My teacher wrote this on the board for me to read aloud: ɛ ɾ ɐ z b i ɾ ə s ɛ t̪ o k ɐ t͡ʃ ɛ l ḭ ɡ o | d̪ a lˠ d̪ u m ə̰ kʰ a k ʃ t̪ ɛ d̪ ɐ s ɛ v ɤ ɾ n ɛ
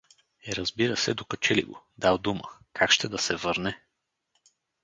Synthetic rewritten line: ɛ ɾ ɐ z b i ɾ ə s ɛ d̪ o k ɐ t͡ʃ ɛ l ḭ ɡ o | d̪ a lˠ d̪ u m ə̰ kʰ a k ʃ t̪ ɛ d̪ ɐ s ɛ v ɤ ɾ n ɛ